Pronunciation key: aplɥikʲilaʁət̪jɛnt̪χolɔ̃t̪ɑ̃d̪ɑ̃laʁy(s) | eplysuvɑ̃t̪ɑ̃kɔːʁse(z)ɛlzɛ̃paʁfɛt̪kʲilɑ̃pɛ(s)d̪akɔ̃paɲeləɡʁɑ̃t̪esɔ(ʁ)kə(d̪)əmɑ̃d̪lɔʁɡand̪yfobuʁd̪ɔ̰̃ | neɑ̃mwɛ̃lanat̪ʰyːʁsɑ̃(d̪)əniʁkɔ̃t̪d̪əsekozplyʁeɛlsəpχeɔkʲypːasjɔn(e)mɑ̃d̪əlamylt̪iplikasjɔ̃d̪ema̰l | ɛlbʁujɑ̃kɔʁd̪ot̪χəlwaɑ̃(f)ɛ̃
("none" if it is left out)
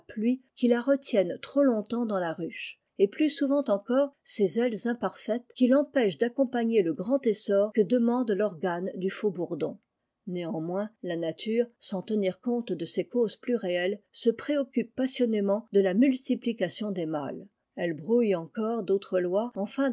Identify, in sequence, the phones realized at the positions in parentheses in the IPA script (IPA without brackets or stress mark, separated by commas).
ʃ, z, ʃ, ʁ, d̪, t̪, e, f